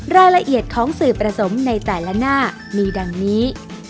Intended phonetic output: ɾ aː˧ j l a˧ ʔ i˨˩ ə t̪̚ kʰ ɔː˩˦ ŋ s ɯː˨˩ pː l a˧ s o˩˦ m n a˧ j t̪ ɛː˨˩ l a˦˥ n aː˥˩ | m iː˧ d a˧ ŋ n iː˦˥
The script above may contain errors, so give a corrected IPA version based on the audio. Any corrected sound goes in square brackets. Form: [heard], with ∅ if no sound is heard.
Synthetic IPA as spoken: ɾ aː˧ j l a˧ ʔ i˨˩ ə t̪̚ kʰ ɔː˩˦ ŋ s ɯː˨˩ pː [ɾ] a˧ s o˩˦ m n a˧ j t̪ ɛː˨˩ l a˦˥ n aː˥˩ | m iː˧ d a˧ ŋ n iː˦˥